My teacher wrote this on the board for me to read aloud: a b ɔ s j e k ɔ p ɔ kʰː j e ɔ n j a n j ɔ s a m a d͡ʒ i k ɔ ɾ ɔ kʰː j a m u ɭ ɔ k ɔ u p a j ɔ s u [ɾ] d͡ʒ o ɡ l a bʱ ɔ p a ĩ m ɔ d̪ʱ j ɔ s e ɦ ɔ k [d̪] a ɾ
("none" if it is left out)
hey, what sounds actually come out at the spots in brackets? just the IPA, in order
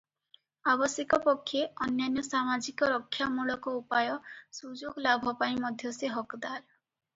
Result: none, d̪

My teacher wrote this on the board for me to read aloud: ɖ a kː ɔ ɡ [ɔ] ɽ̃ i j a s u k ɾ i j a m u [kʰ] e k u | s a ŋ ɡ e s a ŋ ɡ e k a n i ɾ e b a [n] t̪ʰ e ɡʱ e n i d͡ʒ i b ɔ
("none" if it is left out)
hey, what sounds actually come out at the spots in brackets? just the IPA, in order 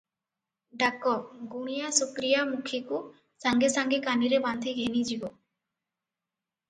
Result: u, kʰ, n

